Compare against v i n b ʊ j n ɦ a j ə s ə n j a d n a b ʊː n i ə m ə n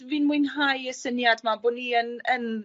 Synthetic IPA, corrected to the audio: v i n m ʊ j n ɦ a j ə s ə n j a d m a b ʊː n i ə n ə n